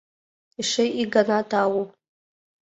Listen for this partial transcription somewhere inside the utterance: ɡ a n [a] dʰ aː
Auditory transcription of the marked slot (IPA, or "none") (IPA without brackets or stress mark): a